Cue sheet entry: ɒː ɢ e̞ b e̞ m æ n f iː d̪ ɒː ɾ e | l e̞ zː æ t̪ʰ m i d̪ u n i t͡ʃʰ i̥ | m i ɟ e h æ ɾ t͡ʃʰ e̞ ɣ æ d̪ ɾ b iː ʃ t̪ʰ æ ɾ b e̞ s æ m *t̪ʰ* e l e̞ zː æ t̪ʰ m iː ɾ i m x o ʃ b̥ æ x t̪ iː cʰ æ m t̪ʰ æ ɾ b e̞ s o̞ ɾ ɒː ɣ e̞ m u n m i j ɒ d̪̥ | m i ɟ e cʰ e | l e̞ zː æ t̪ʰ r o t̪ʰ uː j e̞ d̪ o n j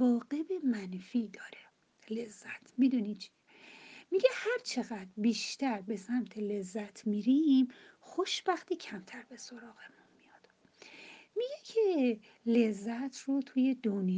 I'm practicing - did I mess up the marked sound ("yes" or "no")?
no